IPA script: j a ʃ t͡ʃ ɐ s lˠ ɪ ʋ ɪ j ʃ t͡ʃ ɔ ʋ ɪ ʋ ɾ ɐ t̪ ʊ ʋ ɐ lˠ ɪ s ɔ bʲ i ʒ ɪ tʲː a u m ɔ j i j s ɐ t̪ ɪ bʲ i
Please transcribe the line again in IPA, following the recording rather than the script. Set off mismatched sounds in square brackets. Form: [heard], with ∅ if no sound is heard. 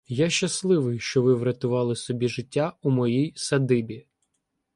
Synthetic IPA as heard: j a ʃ t͡ʃ ɐ s lˠ ɪ ʋ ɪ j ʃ t͡ʃ ɔ ʋ ɪ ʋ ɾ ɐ t̪ ʊ ʋ [ɑ] lˠ ɪ s ɔ bʲ i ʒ ɪ tʲː a u m ɔ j i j s ɐ [d̪] ɪ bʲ i